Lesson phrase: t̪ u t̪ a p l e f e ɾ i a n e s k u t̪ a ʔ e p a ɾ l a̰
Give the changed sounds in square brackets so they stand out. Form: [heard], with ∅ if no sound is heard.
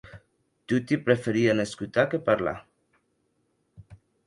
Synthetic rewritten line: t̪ u t̪ [i] p [ɾ] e f e ɾ i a n e s k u t̪ a [k] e p a ɾ l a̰